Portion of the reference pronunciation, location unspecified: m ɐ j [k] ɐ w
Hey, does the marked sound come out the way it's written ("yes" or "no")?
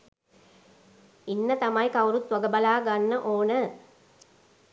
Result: yes